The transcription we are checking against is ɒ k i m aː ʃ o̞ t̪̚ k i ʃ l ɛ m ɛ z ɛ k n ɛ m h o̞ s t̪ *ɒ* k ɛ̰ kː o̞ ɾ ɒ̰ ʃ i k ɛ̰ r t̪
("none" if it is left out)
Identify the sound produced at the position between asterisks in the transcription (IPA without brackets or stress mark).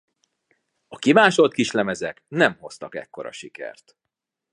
ɒ